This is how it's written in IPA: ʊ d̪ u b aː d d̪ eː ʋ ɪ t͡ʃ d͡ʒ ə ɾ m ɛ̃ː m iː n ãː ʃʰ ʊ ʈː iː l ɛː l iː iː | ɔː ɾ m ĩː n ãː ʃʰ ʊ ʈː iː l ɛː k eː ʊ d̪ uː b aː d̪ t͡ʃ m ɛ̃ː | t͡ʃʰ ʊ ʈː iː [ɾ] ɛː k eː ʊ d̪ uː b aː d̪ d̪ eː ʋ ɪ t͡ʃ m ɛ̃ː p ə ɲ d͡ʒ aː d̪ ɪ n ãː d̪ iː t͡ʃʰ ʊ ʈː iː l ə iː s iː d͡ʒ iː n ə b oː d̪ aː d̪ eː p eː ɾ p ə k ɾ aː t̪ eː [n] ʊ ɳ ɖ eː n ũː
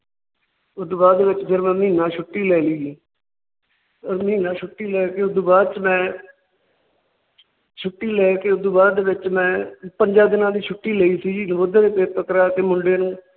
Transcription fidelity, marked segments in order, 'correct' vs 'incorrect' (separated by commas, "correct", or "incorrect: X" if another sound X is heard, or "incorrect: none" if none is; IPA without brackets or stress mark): incorrect: l, incorrect: m